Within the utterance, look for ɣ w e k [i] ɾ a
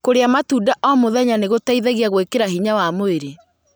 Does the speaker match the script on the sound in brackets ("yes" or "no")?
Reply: no